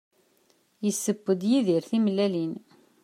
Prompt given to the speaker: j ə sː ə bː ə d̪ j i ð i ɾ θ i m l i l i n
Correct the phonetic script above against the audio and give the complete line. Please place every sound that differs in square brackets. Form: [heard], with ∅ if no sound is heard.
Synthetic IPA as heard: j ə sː ə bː ə d̪ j i ð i ɾ θ i m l [æ] l i n